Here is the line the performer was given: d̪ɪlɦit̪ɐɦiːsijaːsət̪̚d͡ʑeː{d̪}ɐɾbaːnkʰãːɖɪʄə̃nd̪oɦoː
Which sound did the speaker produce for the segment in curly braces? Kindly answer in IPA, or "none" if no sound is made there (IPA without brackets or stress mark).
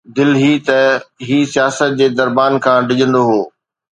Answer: d̪